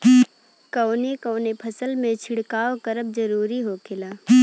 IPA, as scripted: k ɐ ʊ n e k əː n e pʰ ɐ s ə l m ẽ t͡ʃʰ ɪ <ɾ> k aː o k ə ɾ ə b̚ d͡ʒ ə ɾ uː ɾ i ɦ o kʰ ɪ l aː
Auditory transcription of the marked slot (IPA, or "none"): ɽ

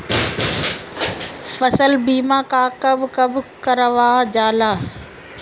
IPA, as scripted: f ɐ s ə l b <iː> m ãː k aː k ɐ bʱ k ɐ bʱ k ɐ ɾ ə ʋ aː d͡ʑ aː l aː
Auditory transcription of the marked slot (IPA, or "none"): iː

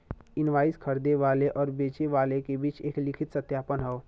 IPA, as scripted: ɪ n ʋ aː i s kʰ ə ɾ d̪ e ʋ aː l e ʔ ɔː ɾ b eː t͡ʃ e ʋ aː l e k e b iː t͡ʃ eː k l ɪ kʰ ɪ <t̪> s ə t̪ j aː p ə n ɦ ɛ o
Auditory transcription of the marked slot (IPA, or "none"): t̪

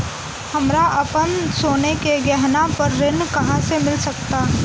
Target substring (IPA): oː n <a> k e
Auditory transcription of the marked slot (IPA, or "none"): e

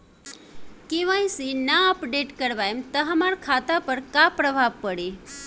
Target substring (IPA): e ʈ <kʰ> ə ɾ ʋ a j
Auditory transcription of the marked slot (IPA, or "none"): k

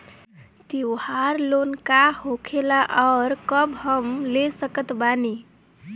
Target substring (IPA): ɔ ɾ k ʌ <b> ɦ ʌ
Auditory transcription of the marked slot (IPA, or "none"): b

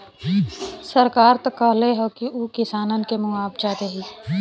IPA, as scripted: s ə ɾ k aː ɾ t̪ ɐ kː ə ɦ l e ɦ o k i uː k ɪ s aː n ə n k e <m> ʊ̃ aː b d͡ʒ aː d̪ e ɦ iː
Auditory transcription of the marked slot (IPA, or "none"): m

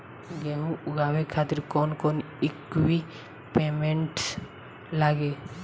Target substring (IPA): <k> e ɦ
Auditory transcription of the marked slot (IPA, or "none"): ɡ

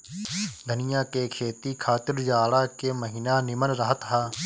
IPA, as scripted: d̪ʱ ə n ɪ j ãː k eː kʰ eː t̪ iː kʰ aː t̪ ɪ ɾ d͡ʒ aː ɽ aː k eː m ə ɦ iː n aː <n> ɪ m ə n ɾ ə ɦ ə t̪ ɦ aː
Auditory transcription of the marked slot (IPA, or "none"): n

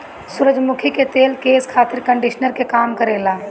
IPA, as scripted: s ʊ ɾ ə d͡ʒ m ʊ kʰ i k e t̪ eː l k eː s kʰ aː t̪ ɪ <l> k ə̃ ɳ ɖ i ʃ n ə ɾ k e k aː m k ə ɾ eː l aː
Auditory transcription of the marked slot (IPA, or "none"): ɾ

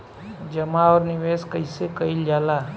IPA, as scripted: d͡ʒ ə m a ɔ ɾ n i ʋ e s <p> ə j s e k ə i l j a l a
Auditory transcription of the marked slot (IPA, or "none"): k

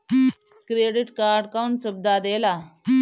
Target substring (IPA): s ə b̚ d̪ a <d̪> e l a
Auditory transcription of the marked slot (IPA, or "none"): d̪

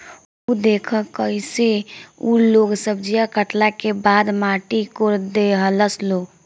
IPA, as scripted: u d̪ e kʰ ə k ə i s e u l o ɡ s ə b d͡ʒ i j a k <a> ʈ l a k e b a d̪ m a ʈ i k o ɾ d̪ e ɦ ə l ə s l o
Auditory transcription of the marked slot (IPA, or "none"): ə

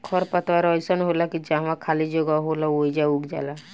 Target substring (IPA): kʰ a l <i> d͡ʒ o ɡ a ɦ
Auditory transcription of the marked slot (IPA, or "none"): i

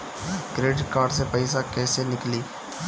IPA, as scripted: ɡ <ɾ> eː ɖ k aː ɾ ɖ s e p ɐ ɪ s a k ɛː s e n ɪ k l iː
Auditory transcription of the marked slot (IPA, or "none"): ɾ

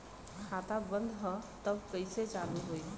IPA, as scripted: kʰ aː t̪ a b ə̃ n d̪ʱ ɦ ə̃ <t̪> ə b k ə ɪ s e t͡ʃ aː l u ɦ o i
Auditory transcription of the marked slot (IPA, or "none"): t̪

